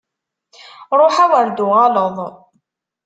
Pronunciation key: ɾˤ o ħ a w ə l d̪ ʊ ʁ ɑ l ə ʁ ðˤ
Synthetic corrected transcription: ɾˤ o ħ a w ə ɾ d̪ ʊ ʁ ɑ l ə ðˤ